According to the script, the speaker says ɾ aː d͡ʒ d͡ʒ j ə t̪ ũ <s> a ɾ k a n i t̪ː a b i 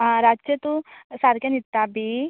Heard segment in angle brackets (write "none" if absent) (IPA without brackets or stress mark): s